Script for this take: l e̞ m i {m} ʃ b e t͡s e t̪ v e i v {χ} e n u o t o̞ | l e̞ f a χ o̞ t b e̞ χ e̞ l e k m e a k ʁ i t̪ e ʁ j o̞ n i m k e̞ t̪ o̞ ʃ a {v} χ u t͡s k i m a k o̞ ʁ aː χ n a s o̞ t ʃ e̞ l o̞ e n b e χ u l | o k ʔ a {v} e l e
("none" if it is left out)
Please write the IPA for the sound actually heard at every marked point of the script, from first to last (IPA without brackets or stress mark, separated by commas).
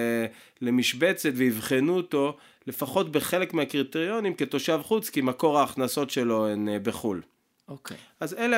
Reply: none, χ, v, z